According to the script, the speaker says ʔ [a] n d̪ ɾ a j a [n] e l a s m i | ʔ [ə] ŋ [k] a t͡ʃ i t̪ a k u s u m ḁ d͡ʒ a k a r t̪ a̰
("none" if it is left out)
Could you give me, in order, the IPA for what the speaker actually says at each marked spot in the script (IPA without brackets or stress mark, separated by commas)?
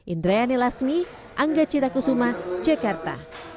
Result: i, n, a, ɡ